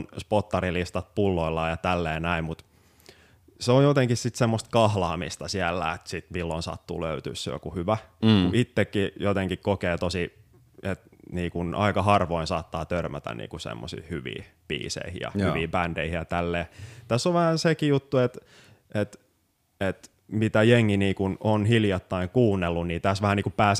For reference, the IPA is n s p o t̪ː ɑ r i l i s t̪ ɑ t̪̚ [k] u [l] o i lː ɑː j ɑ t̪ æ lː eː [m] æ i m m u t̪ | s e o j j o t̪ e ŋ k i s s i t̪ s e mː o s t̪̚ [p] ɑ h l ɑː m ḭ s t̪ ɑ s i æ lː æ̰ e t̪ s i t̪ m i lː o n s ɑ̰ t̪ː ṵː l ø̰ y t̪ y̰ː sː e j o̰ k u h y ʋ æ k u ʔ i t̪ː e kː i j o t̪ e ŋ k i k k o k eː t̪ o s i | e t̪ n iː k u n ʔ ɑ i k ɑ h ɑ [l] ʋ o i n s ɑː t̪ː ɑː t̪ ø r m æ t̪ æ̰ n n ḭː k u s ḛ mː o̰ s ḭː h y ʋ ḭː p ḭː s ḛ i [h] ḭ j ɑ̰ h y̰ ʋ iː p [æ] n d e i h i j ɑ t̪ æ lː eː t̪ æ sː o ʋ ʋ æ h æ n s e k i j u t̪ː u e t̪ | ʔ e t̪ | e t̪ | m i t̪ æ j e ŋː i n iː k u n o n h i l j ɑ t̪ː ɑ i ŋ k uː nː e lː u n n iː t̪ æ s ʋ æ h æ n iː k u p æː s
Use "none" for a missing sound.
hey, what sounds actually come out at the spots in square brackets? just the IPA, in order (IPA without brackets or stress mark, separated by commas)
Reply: p, lː, n, k, r, h, æ